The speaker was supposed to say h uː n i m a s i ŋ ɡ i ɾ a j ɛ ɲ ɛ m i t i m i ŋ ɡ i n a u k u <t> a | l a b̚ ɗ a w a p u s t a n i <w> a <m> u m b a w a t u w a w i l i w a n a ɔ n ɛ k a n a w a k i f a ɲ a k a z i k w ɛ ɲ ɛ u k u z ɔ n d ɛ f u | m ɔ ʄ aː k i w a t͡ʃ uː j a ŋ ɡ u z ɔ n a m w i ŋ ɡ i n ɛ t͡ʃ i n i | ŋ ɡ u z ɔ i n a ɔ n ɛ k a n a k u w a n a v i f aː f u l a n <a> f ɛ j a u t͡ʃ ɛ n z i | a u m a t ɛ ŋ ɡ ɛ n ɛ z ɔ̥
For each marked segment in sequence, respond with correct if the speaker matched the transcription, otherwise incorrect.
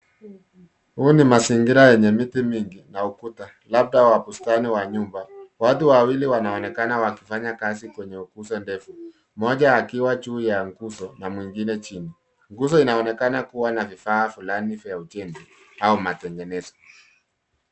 correct, correct, incorrect: ɲ, incorrect: i

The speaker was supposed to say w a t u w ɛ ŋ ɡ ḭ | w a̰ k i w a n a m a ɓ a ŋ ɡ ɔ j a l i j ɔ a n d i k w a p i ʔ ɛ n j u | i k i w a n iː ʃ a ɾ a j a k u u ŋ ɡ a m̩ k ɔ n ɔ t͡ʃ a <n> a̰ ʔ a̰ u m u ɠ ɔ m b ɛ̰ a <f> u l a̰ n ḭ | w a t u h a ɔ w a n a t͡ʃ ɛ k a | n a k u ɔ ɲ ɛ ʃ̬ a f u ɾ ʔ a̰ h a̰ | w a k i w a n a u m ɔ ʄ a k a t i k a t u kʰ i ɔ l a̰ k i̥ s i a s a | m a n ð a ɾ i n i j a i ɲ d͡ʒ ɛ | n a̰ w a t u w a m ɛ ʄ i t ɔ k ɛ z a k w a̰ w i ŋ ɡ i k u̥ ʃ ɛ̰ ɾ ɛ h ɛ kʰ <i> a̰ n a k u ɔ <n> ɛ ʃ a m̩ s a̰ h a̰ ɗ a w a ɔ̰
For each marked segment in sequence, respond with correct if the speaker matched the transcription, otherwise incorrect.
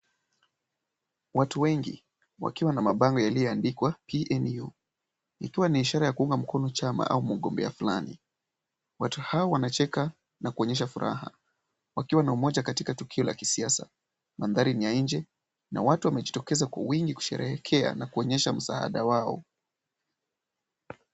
incorrect: m, correct, incorrect: ɛ, incorrect: ɲ

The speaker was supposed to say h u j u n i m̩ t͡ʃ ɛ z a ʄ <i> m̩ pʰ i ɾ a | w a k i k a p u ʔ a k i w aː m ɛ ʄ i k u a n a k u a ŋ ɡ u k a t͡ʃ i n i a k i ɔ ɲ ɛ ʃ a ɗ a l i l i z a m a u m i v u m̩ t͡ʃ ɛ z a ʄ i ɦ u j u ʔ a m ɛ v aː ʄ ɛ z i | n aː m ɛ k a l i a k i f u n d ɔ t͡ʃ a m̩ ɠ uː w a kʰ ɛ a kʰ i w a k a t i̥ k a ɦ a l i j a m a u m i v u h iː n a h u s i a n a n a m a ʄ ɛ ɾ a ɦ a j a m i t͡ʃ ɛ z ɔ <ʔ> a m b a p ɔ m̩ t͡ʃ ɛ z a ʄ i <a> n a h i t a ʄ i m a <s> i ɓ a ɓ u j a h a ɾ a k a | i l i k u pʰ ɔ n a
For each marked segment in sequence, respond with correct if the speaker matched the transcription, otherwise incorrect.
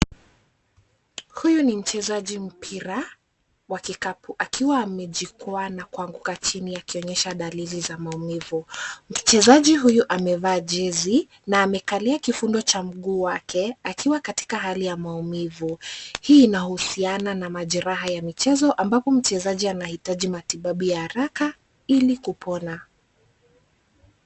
correct, correct, correct, incorrect: t

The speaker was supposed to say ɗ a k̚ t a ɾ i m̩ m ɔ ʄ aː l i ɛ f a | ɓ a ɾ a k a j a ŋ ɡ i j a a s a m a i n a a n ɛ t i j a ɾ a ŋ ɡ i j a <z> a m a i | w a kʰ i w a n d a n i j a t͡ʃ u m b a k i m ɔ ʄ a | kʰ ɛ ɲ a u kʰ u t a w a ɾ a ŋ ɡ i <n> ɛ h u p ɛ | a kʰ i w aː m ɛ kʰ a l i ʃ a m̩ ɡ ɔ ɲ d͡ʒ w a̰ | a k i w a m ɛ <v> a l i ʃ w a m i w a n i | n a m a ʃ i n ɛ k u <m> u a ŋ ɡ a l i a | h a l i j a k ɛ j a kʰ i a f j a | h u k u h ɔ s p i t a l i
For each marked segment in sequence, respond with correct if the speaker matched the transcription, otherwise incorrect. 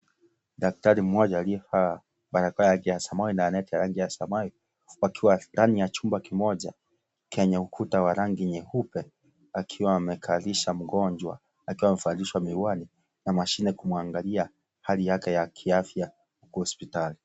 incorrect: s, incorrect: ɲ, incorrect: f, correct

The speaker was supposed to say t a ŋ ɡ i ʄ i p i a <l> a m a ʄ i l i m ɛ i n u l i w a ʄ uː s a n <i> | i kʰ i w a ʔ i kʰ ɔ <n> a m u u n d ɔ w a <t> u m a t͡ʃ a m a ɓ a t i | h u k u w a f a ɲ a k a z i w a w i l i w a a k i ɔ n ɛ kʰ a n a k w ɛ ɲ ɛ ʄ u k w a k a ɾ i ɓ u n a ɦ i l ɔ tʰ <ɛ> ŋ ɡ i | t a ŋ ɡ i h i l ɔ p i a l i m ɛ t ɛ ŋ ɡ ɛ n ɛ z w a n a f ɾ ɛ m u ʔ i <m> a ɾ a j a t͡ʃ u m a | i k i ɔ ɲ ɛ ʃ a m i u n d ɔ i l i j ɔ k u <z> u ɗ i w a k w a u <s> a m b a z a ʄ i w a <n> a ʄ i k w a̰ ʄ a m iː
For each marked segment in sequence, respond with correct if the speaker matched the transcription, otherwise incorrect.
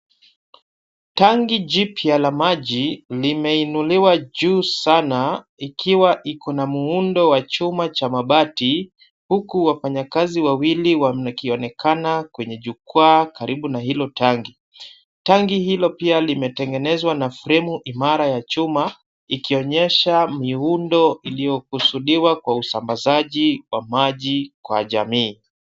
correct, incorrect: a, correct, incorrect: t͡ʃ, incorrect: a, correct, incorrect: s, correct, incorrect: m

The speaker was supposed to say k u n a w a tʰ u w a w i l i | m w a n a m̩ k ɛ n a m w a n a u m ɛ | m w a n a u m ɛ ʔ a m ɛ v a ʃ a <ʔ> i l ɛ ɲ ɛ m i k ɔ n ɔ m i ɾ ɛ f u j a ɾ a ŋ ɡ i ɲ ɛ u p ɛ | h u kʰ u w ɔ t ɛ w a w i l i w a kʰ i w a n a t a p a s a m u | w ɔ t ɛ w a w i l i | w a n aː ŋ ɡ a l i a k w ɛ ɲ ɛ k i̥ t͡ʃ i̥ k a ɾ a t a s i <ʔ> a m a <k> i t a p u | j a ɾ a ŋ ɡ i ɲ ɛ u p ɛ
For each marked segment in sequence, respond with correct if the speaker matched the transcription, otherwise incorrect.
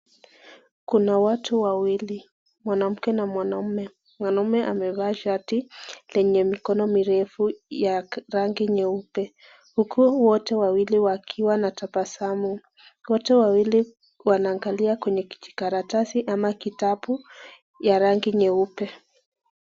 incorrect: t, correct, correct

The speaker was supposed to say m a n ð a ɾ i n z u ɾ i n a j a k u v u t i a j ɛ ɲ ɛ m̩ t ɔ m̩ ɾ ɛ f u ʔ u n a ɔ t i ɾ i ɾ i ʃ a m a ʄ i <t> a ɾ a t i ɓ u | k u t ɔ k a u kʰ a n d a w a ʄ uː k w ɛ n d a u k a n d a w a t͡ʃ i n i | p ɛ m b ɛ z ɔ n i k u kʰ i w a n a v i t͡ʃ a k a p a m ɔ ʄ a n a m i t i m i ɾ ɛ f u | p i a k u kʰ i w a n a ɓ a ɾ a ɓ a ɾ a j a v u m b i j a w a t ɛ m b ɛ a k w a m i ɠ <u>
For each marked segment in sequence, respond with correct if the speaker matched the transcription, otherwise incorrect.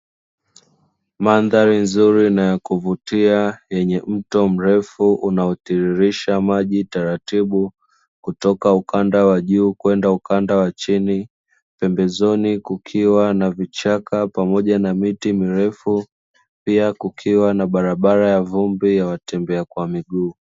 correct, incorrect: uː

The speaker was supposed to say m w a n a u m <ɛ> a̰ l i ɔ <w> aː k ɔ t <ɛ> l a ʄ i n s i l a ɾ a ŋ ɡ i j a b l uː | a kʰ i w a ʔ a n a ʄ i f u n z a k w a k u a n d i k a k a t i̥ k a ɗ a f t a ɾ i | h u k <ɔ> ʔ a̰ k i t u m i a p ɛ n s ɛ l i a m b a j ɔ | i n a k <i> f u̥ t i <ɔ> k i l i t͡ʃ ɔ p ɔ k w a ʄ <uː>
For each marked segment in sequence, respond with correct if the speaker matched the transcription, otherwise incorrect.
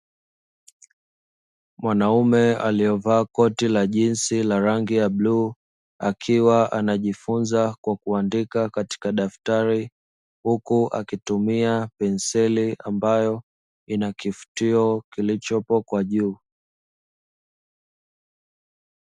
correct, incorrect: v, incorrect: i, incorrect: u, correct, correct, correct

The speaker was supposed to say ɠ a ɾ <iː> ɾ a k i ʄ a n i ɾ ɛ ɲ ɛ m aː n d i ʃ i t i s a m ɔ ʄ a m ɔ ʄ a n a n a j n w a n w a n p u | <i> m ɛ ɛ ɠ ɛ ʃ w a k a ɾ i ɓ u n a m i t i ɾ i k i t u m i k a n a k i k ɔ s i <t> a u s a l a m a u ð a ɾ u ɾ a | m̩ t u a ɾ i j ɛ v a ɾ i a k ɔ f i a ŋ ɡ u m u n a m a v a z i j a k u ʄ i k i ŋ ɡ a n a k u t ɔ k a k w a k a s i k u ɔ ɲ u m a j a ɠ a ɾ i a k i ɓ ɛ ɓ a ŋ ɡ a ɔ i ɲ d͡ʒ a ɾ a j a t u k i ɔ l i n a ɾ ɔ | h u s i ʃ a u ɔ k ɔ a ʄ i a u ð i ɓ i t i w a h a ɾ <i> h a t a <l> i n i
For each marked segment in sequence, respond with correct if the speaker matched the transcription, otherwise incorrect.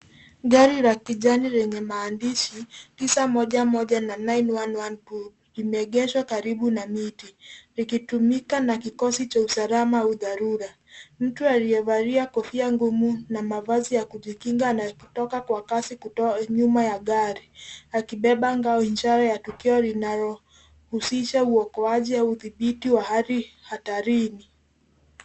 incorrect: i, correct, incorrect: t͡ʃ, correct, incorrect: ɾ

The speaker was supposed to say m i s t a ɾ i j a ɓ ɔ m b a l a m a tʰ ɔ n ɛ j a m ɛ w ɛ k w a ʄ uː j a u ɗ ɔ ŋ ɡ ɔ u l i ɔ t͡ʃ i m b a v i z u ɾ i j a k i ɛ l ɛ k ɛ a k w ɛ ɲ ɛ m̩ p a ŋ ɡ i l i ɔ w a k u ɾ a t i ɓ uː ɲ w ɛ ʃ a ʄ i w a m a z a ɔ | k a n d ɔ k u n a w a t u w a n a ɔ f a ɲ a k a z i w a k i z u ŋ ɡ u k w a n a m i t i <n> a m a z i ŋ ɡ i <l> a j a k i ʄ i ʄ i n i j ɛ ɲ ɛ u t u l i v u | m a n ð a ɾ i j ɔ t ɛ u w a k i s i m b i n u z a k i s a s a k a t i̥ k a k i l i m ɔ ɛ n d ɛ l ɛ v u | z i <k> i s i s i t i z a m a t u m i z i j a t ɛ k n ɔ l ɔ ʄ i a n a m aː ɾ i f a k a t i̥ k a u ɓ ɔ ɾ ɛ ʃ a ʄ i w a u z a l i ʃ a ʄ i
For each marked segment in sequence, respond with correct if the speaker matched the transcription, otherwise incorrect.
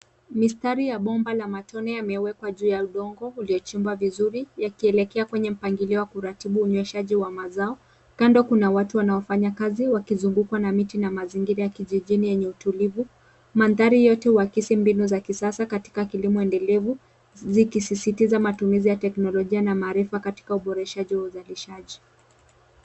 correct, incorrect: ɾ, correct

